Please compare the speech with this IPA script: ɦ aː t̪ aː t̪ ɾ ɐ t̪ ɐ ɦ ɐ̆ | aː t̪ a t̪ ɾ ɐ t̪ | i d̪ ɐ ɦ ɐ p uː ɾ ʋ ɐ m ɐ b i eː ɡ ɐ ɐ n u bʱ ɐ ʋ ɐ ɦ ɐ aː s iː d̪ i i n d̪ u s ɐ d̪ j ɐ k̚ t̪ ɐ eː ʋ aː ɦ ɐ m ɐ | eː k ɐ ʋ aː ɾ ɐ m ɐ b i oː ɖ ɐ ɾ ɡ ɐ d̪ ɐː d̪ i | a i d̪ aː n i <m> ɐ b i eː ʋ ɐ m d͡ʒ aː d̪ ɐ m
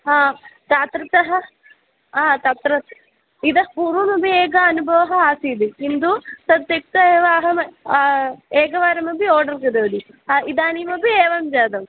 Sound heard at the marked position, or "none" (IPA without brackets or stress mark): m